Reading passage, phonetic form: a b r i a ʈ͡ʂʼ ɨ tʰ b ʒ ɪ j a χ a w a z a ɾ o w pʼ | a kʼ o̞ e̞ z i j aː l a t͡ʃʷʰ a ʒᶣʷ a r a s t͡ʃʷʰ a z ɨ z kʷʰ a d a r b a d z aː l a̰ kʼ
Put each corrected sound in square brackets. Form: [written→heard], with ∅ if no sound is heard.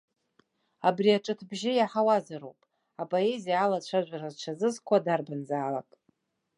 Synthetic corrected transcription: a b r i a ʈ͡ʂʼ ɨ tʰ b ʒ ɪ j a [χ→ħ] a w a z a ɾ o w pʼ | a [kʼ→pʼ] o̞ e̞ z i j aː l a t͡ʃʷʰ a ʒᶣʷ a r a [s→z] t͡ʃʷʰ a z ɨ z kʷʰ a d a r b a [d→n] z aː l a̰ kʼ